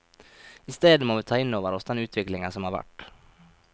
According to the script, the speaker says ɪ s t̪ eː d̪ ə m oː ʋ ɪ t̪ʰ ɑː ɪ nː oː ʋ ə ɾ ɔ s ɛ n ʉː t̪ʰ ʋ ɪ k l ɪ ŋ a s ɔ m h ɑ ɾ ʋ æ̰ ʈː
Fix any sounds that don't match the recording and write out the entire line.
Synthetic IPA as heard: ɪ s t̪ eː d̪ ə m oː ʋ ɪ t̪ʰ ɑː ɪ nː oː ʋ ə ɾ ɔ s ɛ n ʉː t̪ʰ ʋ ɪ k l ɪ ŋ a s ɔ m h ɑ ɾ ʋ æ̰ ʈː